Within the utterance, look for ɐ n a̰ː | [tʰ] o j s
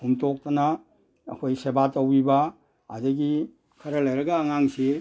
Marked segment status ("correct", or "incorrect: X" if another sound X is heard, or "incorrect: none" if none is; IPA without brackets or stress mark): incorrect: kʰ